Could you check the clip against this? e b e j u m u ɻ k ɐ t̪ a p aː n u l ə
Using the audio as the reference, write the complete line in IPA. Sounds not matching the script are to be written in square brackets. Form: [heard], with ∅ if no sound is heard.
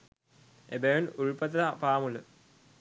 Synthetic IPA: e b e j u [n] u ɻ [p] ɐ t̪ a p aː [m] u l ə